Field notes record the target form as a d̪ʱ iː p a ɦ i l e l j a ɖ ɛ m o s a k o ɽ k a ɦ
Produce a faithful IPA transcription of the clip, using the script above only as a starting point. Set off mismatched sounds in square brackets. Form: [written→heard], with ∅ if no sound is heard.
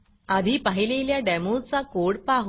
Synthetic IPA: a d̪ʱ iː p a ɦ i l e l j a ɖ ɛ m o [s→t͡s] a k o ɽ [k→p] a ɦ